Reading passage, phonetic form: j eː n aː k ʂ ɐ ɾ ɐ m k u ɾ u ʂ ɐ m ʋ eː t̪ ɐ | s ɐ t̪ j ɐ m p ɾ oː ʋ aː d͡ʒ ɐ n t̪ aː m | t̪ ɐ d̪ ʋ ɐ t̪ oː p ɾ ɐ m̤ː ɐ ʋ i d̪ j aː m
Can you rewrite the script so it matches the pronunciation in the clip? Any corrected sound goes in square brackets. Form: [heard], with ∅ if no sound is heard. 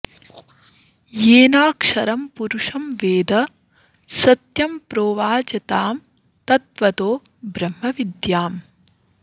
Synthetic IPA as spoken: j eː n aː k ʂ ɐ ɾ ɐ m [p] u ɾ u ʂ ɐ m ʋ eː [d̪] ɐ | s ɐ t̪ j ɐ m p ɾ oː ʋ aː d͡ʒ ɐ [∅] t̪ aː m | t̪ ɐ [t̪] ʋ ɐ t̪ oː [b] ɾ ɐ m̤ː ɐ ʋ i d̪ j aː m

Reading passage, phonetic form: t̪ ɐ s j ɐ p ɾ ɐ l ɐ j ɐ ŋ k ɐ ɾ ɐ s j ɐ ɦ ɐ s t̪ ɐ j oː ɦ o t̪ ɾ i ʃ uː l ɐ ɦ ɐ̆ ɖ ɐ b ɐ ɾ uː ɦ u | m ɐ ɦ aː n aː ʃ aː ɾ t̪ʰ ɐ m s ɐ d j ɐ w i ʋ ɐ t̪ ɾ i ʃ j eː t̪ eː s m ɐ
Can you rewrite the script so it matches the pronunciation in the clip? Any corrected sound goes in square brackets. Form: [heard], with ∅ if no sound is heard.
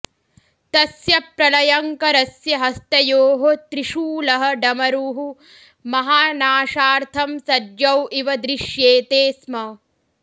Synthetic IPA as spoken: t̪ ɐ s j ɐ p ɾ ɐ l ɐ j ɐ ŋ k ɐ ɾ ɐ s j ɐ ɦ ɐ s t̪ ɐ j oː ɦ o t̪ ɾ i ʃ uː l ɐ ɦ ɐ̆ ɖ ɐ [m] ɐ ɾ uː ɦ u | m ɐ ɦ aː n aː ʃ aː ɾ t̪ʰ ɐ m s ɐ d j ɐ w i ʋ ɐ [d̪] ɾ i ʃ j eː t̪ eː s m ɐ

